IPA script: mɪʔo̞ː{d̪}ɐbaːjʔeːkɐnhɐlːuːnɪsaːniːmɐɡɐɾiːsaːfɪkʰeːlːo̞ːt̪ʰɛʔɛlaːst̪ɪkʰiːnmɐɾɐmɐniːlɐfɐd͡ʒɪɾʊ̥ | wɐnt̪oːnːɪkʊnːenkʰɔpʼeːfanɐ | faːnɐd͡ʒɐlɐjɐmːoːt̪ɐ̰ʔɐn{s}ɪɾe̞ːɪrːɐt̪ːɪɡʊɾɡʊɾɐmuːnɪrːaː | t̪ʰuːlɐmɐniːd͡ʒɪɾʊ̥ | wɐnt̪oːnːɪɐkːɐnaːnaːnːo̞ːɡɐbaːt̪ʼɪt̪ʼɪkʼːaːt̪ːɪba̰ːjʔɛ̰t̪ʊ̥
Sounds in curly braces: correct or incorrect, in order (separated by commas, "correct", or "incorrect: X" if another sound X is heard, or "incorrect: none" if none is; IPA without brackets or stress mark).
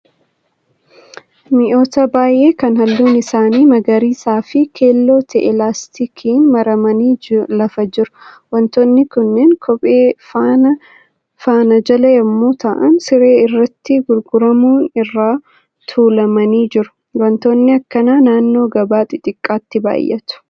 incorrect: t̪, correct